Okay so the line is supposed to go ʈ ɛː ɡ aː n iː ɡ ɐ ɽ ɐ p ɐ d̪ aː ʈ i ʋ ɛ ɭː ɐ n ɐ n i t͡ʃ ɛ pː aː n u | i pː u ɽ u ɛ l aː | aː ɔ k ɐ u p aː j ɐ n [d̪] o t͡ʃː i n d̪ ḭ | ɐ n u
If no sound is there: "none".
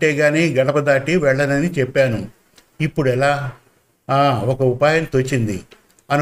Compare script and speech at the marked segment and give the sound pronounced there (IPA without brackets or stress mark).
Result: t̪